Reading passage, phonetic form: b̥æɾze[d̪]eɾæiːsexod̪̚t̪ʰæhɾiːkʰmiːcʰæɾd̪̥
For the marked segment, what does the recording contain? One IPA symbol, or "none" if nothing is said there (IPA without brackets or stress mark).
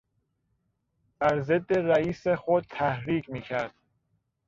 d̪ː